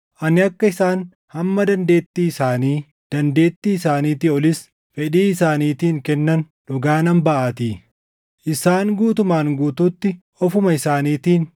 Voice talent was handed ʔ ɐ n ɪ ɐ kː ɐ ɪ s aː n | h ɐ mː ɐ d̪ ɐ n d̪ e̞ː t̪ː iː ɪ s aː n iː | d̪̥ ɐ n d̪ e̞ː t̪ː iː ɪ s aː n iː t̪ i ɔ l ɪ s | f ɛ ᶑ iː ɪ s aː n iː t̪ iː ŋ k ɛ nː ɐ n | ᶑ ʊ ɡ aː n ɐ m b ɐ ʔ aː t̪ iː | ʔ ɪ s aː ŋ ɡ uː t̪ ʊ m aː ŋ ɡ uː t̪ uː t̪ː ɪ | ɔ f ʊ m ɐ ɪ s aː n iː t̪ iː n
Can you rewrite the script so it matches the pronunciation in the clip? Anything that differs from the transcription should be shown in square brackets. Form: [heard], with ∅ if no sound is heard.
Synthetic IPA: ʔ ɐ n ɪ ɐ kː ɐ ɪ s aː n | h ɐ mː ɐ d̪ ɐ n d̪ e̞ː t̪ː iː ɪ s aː n iː | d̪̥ ɐ n d̪ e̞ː t̪ː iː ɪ s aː n iː t̪ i ɔ l ɪ s | f ɛ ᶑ iː ɪ s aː n iː t̪ iː ŋ k ɛ nː ɐ n | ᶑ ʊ ɡ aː n ɐ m b ɐ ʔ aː t̪ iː | ʔ ɪ s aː ŋ ɡ uː t̪ ʊ m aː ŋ ɡ uː t̪ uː t̪ː ɪ | ɔ f ʊ m ɐ ɪ s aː n iː t̪ iː n